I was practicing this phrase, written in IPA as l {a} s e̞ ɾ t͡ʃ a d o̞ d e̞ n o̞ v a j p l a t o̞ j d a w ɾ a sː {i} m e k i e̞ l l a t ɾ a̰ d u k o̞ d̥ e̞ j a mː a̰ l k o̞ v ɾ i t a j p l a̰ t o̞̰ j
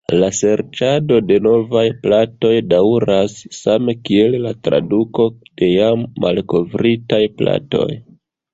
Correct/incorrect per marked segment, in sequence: correct, incorrect

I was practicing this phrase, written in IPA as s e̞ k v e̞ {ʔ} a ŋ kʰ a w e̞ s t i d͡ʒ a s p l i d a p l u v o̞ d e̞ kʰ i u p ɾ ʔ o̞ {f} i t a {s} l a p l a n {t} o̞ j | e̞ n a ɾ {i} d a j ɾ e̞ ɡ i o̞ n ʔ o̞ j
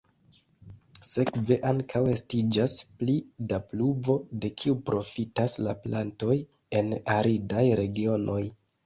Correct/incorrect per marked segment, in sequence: correct, correct, correct, correct, correct

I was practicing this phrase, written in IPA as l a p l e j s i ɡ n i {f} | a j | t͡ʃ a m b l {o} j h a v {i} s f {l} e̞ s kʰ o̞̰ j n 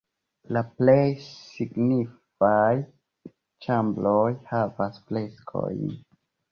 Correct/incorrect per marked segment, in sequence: correct, correct, incorrect, correct

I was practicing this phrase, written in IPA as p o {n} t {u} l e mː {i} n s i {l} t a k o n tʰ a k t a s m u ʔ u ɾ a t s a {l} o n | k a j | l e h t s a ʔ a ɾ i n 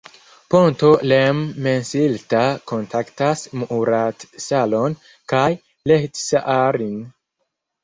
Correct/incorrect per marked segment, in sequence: correct, incorrect, incorrect, correct, correct

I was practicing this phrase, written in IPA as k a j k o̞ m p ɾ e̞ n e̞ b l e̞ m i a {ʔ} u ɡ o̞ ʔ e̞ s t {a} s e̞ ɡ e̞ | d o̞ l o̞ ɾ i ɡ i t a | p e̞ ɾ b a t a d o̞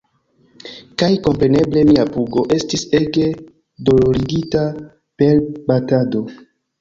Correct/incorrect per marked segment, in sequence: incorrect, incorrect

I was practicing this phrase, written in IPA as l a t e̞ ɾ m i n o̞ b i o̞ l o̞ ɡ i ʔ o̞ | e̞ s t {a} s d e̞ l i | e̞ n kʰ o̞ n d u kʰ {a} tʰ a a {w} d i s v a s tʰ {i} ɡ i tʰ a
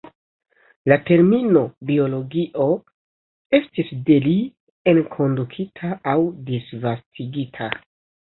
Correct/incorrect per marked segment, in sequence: incorrect, incorrect, correct, correct

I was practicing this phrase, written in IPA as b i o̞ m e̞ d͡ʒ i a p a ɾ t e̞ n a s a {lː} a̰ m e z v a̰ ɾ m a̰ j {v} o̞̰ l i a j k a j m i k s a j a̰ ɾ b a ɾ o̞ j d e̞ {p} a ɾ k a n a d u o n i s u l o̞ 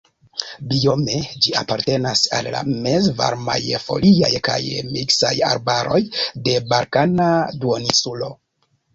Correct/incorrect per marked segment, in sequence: correct, incorrect, incorrect

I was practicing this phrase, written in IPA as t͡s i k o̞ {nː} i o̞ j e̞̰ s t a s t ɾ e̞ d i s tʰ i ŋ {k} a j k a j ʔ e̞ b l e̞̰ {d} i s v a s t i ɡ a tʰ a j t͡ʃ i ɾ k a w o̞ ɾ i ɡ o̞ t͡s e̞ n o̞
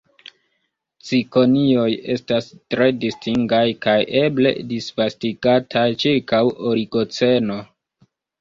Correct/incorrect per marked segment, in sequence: incorrect, incorrect, correct

